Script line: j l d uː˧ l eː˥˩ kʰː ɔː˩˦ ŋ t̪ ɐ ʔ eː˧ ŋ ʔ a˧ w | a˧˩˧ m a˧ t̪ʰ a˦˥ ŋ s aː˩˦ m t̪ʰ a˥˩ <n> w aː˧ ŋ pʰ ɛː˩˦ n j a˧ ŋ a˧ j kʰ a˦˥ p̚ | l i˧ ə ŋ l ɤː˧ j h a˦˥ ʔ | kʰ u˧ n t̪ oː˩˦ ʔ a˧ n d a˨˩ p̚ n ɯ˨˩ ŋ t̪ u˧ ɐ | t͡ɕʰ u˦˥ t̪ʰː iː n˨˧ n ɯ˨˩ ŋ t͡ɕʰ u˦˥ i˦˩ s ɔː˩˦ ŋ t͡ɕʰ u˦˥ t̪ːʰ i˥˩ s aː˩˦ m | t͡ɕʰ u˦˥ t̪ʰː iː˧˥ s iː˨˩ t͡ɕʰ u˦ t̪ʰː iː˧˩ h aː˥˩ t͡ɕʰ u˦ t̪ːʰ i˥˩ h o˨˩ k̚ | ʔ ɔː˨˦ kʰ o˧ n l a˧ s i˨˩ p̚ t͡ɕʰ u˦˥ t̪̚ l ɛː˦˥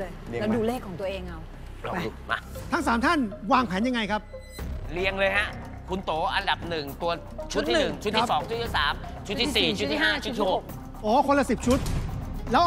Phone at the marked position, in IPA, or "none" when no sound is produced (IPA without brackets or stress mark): n